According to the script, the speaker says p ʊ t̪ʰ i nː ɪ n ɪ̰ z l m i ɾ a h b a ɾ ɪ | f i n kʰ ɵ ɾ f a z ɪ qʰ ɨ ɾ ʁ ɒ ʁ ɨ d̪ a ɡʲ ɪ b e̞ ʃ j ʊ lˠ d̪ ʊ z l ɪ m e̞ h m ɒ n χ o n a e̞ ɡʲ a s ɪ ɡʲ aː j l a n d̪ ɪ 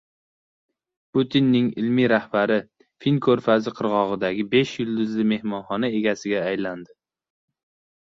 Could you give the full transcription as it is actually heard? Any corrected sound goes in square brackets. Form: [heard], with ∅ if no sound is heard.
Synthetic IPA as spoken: p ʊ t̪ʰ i nː ɪ [ŋ] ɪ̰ [∅] l m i ɾ a h b a ɾ ɪ | f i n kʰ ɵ ɾ f a z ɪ qʰ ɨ ɾ ʁ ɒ ʁ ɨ d̪ a ɡʲ ɪ b e̞ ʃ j ʊ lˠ d̪ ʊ z l ɪ m e̞ h m ɒ n χ [ɒ] n a e̞ ɡʲ a s ɪ ɡʲ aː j l a n d̪ ɪ